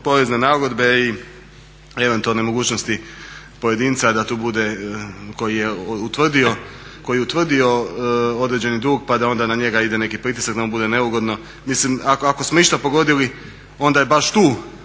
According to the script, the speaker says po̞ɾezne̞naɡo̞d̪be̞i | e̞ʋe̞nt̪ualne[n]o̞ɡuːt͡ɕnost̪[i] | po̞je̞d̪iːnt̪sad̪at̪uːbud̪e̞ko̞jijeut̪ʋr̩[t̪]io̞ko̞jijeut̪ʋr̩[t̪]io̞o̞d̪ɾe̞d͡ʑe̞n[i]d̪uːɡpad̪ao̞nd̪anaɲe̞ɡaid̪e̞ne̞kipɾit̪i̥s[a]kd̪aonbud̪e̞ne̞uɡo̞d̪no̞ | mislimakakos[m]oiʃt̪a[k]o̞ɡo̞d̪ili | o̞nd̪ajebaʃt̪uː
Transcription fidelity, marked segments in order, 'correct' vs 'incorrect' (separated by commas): incorrect, correct, incorrect, incorrect, correct, correct, correct, incorrect